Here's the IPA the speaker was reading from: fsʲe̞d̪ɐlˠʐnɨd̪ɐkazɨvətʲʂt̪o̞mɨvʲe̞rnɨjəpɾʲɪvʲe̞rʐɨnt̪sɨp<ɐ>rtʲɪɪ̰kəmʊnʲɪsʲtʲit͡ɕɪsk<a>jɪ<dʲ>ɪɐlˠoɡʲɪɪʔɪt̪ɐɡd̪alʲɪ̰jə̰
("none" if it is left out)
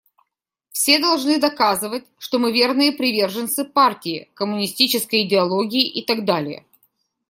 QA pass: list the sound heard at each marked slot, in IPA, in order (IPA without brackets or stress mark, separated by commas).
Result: a, ə, dʲ